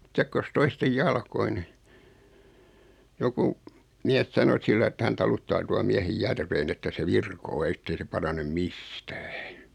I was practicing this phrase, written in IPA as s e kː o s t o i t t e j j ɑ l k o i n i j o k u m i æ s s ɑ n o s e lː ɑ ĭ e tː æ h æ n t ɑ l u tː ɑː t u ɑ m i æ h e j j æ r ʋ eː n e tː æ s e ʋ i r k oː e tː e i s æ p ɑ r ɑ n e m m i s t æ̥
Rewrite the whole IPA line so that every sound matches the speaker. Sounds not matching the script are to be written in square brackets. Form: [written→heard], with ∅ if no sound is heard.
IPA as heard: s e kː o s t o i [t→s] t e j j ɑ l k o i n i j o k u m i æ s s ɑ n o s [e→i] lː ɑ ĭ e tː æ h æ n t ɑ l u tː ɑː t u ɑ m i æ h e j j æ r ʋ eː n e tː æ s e ʋ i r k oː e tː e i s [æ→e] p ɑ r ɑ n e m m i s t [æ̥→æ̥ː]